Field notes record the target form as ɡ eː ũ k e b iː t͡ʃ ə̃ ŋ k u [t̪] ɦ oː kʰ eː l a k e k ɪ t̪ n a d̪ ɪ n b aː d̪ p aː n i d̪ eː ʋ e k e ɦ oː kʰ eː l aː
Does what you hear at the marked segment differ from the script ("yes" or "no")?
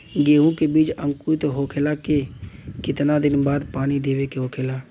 no